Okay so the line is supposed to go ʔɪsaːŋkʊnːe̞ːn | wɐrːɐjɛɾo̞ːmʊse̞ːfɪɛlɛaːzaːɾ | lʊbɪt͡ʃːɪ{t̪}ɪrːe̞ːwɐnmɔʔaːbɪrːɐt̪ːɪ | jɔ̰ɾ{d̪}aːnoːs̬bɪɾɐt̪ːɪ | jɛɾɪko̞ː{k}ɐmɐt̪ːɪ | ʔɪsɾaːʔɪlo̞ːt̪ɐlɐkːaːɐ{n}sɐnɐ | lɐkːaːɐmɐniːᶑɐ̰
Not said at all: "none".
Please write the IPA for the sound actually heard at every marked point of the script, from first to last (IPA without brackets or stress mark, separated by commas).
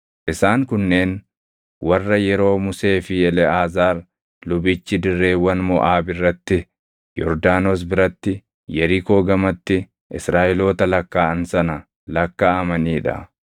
d̪, d̪, ɡ, n